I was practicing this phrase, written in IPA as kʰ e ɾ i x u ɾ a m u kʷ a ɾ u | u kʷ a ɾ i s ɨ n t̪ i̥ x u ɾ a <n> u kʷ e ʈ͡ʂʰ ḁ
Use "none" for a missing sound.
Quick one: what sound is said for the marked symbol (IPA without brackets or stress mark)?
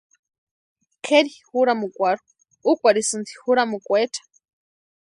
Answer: m